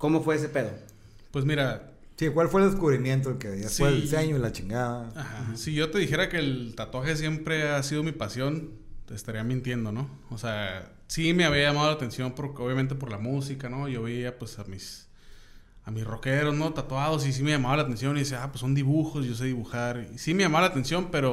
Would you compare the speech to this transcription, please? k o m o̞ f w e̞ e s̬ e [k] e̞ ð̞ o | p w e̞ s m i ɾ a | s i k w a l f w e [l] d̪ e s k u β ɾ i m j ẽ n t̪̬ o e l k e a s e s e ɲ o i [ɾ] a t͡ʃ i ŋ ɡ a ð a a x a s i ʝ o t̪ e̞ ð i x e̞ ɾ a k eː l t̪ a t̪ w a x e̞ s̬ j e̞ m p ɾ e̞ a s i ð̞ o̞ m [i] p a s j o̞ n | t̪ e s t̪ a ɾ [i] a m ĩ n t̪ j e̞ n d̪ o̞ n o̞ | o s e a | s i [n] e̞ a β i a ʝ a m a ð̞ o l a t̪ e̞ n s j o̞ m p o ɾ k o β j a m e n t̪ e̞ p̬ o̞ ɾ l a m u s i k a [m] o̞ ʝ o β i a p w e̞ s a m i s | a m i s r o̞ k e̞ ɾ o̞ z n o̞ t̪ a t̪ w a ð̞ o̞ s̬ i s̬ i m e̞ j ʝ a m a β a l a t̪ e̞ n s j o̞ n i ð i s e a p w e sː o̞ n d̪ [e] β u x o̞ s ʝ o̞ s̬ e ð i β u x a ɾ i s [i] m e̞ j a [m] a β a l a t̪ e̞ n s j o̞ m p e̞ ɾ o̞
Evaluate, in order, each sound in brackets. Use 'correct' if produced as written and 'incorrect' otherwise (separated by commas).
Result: incorrect, correct, incorrect, correct, correct, incorrect, incorrect, incorrect, correct, correct